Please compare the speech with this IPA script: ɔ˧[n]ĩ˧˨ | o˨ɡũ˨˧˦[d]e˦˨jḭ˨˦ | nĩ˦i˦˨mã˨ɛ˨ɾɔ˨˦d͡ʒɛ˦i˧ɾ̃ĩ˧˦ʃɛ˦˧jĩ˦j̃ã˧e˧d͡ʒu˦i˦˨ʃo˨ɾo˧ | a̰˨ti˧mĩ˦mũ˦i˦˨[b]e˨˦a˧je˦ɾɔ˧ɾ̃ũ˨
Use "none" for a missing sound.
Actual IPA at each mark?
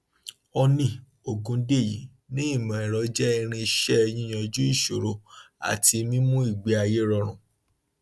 n, d, ɡ͡b

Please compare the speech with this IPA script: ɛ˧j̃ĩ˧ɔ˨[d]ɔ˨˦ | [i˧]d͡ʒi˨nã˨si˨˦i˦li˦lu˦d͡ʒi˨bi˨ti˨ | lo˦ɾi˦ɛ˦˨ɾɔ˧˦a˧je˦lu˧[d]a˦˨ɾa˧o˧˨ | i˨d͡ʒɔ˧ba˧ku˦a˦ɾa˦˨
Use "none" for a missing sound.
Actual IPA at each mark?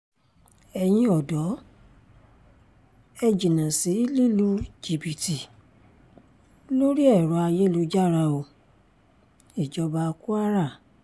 d, ɛ˧, d͡ʒ

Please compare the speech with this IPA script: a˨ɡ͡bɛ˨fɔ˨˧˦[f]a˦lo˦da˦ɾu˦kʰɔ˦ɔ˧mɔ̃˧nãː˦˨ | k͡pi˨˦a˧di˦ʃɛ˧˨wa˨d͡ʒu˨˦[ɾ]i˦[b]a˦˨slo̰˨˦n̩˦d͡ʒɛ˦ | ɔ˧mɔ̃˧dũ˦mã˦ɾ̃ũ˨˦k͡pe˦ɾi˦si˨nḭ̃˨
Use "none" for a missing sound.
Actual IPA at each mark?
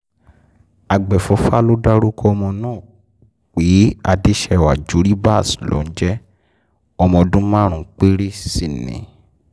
f, ɾ, b

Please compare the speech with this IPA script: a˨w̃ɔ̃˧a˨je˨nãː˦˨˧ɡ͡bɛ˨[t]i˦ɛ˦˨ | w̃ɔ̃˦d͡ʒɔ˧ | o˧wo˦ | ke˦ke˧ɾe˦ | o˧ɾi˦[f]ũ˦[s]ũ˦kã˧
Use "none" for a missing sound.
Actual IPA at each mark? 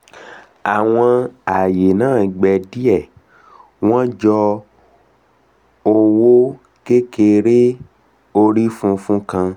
d, f, f

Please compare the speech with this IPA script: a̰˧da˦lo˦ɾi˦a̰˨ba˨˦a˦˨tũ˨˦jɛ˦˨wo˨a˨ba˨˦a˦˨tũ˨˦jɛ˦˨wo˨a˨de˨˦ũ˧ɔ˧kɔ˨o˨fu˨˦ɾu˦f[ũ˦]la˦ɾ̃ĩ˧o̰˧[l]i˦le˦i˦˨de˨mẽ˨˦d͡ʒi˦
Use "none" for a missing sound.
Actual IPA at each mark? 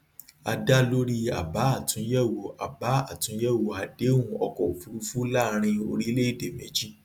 u˦, ɾ

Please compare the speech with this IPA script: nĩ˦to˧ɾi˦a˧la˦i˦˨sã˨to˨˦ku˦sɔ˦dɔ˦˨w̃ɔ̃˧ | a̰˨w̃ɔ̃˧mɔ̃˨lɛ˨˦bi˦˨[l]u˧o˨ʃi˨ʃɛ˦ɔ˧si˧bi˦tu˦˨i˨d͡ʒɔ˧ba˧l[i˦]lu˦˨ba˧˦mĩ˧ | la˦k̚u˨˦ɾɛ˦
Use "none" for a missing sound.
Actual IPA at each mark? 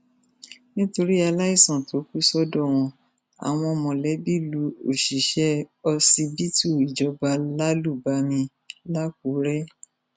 l, a˦

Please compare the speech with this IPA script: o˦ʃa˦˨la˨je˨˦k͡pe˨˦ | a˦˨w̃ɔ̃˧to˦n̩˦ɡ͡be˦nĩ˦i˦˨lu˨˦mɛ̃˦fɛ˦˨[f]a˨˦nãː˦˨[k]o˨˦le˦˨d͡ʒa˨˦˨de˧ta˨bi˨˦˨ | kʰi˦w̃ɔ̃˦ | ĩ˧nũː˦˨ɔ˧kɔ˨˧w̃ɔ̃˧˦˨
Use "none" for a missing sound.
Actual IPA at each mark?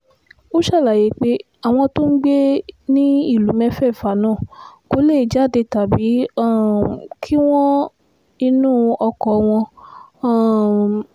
f, k

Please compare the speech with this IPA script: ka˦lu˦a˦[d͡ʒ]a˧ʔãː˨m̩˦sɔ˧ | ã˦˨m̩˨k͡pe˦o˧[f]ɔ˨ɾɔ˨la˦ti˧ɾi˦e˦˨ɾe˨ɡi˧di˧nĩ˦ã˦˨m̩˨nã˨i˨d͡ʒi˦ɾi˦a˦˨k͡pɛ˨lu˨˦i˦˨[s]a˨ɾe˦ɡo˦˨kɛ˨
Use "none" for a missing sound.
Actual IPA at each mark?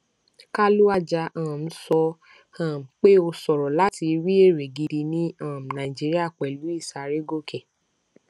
d͡ʒ, s, s

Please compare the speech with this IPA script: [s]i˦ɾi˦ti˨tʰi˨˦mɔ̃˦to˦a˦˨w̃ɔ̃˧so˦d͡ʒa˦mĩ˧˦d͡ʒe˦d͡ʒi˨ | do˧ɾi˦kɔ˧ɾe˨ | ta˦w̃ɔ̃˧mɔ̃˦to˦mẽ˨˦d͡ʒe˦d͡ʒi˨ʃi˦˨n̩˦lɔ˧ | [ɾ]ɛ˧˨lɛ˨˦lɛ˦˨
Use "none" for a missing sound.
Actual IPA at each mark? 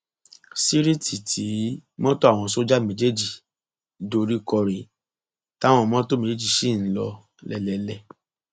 s, l

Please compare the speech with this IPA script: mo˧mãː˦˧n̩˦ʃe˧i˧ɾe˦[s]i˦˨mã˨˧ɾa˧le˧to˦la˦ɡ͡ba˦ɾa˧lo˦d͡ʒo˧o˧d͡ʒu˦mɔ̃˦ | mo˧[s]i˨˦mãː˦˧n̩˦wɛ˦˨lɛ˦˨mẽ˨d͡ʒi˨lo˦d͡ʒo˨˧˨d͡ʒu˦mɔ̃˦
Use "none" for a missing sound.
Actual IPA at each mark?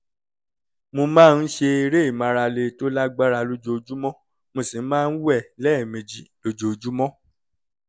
none, s

